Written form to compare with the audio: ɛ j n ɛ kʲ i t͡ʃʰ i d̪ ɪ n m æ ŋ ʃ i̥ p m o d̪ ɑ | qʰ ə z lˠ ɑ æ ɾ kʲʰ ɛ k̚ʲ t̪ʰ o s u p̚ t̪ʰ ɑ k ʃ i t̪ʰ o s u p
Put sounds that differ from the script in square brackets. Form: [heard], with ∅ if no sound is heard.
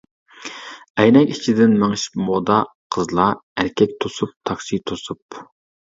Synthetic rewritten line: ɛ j n ɛ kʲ i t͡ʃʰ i d̪ ɪ n m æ ŋ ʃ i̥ p m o d̪ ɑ | qʰ ə z lˠ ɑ æ ɾ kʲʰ ɛ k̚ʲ t̪ʰ o s u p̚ t̪ʰ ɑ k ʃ i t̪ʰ o s u p